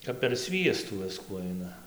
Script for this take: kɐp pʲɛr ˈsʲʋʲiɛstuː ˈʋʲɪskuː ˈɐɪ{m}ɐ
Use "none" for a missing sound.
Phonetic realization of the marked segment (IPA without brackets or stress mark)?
n